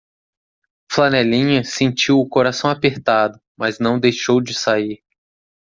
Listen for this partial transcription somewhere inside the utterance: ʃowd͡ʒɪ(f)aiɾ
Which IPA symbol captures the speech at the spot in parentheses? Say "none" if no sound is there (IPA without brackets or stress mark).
s